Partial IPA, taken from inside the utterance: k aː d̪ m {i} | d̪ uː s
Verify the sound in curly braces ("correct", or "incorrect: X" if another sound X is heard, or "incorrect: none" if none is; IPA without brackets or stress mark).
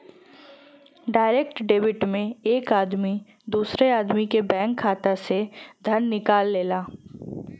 correct